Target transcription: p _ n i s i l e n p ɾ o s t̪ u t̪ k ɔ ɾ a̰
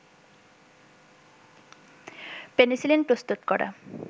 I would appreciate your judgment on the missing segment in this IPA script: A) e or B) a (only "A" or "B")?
A